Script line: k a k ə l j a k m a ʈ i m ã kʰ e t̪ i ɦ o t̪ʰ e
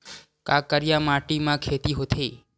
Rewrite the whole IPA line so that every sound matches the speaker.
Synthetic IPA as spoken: k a k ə ɾ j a m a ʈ i m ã kʰ e t̪ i ɦ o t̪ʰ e